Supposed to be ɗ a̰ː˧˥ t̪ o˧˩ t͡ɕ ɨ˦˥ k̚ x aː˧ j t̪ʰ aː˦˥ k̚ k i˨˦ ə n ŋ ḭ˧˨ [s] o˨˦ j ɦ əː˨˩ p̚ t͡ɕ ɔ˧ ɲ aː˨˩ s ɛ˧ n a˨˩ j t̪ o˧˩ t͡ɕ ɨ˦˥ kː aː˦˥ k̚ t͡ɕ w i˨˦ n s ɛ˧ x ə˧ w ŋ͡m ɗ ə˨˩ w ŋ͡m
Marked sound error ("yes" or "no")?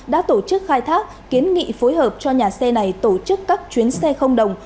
yes